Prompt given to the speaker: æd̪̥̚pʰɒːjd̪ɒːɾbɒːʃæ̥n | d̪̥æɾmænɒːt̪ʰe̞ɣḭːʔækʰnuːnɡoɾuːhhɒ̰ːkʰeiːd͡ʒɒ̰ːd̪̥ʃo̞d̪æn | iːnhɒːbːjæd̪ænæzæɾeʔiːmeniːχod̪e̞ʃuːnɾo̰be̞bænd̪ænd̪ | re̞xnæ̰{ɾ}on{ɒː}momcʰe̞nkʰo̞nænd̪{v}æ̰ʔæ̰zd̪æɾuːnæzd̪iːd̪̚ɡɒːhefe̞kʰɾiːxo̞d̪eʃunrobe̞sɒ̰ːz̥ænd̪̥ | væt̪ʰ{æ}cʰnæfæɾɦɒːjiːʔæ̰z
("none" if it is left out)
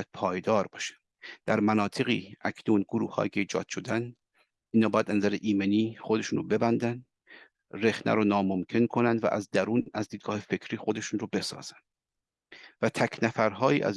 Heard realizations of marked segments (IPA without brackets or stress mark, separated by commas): ɾ, ɒː, v, æ